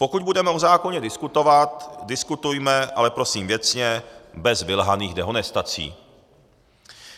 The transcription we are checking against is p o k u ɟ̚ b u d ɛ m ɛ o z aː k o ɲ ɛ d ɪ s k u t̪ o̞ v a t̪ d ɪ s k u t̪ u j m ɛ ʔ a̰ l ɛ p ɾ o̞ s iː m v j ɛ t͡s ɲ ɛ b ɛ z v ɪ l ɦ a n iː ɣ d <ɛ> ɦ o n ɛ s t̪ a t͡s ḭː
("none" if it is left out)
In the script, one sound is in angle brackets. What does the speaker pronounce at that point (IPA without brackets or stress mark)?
ɛ